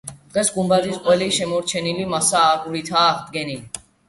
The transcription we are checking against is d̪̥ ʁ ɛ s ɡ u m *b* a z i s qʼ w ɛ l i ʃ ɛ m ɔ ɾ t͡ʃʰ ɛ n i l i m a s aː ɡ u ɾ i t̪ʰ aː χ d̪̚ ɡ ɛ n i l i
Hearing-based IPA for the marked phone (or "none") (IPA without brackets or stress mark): b